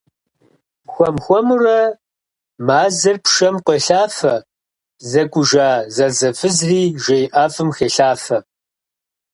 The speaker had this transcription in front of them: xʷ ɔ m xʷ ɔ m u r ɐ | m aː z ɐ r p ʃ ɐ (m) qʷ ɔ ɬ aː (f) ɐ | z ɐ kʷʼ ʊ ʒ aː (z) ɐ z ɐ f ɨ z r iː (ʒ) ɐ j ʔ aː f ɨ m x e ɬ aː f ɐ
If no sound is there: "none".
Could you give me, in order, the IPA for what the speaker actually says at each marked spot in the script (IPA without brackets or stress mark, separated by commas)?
m, f, z, ʒ